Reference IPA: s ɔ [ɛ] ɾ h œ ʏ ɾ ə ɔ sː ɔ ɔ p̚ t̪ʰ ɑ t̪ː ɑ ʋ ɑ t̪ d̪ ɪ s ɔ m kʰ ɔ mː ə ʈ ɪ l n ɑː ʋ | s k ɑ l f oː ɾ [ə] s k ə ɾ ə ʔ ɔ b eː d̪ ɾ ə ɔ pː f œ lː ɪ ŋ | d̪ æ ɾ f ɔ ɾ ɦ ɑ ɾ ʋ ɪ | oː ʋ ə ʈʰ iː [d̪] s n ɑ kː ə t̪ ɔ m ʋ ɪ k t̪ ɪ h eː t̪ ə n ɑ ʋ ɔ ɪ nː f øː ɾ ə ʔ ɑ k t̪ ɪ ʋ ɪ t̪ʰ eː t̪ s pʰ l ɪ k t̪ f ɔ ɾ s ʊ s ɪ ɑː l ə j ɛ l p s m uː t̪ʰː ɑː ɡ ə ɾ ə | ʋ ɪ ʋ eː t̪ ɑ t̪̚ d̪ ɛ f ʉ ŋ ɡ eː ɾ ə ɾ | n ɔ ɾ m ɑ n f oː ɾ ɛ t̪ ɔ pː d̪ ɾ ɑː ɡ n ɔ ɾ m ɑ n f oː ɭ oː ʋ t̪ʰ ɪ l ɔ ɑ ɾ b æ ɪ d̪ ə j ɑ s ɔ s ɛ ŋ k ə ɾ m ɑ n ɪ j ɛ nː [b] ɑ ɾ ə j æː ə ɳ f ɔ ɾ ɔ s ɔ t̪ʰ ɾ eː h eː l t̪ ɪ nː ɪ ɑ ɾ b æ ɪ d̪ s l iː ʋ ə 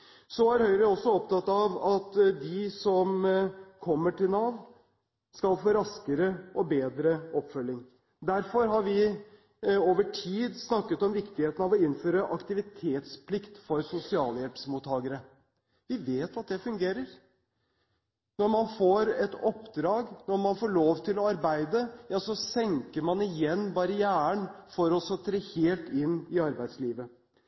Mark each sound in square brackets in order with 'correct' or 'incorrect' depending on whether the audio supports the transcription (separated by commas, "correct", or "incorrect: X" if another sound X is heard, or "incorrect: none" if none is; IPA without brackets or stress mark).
incorrect: æ, incorrect: ɑ, correct, correct